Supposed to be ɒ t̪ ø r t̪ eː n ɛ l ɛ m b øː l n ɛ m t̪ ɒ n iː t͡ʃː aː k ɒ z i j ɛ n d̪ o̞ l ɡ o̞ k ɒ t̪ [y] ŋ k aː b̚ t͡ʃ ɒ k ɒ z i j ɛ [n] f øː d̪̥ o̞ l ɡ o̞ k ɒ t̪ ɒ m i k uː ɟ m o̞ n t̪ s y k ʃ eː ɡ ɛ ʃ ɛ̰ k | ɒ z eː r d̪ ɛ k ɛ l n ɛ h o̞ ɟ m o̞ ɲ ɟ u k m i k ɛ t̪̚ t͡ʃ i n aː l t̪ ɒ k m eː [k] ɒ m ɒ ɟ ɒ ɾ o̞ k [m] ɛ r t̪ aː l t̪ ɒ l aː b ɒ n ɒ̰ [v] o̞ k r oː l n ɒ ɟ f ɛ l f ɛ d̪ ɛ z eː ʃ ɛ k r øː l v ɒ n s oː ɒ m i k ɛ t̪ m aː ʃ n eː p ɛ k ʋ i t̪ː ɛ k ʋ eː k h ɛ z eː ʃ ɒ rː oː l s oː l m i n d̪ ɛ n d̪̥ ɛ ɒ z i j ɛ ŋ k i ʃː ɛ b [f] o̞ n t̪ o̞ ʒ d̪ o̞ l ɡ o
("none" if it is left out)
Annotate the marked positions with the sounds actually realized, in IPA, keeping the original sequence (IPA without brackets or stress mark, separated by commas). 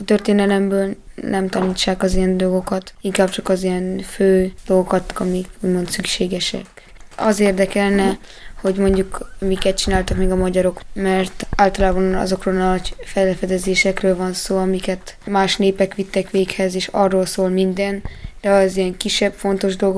i, n, ɡ, m, z, f